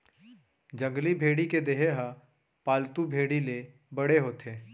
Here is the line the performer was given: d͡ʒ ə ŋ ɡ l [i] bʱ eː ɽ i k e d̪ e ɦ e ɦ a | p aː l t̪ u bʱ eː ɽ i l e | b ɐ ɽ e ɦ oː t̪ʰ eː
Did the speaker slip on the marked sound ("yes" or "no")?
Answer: no